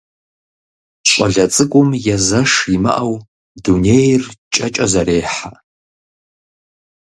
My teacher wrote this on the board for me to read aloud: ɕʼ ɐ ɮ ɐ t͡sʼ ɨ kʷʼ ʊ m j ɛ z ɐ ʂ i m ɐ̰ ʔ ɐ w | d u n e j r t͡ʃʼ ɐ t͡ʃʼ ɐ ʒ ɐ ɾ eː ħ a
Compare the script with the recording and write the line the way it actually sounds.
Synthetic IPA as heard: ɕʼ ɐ ɮ ɐ t͡sʼ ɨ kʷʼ ʊ m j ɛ z ɐ ʂ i m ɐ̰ ʔ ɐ w | d u n e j r t͡ʃʼ ɐ t͡ʃʼ ɐ z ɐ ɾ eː ħ a